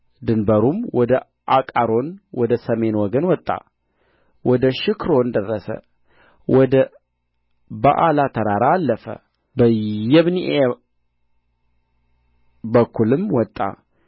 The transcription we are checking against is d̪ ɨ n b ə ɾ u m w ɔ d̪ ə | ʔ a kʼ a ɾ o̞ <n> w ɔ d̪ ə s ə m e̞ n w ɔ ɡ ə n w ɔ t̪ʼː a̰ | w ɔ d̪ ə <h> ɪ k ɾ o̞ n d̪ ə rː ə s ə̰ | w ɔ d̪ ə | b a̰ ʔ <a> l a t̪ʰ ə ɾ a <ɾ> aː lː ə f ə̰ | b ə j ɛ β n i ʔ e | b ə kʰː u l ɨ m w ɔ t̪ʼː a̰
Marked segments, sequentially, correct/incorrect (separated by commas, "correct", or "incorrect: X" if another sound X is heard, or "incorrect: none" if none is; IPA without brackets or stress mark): correct, incorrect: ʃ, correct, correct